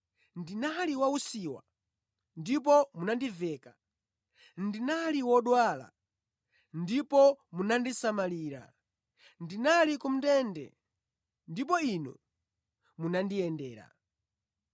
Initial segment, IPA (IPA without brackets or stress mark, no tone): n